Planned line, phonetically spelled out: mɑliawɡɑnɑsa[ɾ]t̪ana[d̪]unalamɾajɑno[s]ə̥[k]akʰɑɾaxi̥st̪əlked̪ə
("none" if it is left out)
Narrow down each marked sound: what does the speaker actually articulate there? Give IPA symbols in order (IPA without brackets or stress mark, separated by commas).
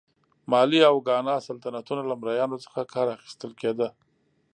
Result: l, t̪, t͡s, x